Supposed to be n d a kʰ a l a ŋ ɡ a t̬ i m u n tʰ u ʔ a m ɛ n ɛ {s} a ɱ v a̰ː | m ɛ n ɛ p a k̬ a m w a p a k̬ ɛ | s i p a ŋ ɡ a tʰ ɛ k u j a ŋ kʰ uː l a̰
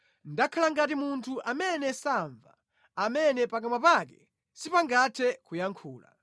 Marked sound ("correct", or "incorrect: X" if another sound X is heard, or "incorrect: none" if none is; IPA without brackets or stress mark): correct